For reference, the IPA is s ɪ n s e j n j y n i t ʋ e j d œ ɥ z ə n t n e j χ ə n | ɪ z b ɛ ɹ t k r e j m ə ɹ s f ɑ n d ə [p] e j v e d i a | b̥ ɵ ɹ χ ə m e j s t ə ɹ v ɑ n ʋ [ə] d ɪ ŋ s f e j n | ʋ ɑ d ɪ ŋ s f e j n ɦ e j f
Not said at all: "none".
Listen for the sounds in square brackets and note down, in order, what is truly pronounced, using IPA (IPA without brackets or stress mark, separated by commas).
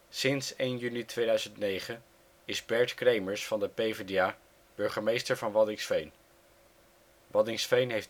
p, ɑ